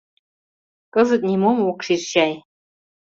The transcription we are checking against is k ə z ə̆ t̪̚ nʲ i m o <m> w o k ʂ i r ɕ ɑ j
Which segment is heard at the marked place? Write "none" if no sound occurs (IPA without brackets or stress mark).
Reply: m